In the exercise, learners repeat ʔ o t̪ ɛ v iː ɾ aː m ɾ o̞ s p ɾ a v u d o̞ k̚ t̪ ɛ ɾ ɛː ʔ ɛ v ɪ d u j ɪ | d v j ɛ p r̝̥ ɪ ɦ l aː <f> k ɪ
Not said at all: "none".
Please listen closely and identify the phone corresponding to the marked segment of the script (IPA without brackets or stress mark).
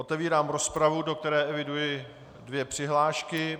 ʃ